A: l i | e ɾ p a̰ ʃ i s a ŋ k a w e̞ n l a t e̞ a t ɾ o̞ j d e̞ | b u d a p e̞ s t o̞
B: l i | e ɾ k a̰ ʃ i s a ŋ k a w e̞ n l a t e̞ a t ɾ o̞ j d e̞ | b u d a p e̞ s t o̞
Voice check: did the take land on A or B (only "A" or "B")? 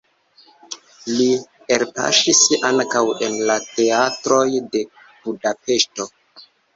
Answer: A